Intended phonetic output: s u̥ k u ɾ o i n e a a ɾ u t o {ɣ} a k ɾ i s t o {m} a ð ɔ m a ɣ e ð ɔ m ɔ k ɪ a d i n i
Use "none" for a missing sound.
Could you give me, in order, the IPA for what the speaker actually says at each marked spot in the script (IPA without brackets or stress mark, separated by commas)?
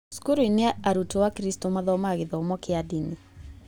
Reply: w, m